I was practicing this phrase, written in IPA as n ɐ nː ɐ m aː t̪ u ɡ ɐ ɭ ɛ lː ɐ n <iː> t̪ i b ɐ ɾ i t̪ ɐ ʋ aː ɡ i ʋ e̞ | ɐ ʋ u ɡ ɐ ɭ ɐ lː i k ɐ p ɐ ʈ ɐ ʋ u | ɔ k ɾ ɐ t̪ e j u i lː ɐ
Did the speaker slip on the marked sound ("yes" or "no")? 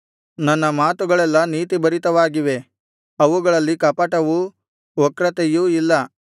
no